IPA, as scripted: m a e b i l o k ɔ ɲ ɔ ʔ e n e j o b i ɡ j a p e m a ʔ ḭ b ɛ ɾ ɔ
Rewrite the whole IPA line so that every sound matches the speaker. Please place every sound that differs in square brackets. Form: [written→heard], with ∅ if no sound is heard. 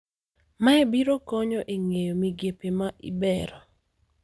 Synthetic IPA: m a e b i [l→ɾ] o k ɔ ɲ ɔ ʔ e [n→ŋ] e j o [b→m] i ɡ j [a→e] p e m a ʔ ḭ b ɛ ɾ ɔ